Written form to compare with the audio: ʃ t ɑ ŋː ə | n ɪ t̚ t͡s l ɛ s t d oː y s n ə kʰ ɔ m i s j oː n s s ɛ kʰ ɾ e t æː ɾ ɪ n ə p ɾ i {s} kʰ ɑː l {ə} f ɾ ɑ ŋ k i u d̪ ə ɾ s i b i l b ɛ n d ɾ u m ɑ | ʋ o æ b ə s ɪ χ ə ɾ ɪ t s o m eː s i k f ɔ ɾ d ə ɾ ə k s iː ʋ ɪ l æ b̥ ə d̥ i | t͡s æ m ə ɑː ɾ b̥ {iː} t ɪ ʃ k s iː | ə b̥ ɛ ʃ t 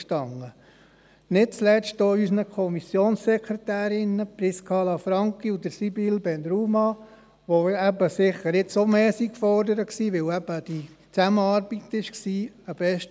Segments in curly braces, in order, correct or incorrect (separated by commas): correct, incorrect, incorrect